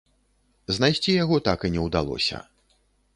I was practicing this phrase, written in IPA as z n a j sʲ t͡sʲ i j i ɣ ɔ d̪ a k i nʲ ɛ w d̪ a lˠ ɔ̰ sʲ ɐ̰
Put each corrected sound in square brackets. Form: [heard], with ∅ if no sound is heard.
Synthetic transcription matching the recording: z n a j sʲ t͡sʲ i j [a] ɣ ɔ [t̪] a k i nʲ ɛ w d̪ a lˠ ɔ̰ sʲ ɐ̰